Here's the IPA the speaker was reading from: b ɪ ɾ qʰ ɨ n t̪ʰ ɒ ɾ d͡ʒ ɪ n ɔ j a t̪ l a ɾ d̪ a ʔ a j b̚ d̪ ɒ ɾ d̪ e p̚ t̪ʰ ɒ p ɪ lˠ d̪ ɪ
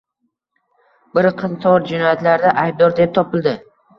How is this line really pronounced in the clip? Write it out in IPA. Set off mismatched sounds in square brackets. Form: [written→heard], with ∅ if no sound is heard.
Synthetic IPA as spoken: b ɪ ɾ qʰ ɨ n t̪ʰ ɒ ɾ d͡ʒ ɪ n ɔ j a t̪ l a ɾ d̪ a ʔ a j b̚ d̪ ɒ ɾ d̪ e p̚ t̪ʰ ɒ p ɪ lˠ d̪ ɪ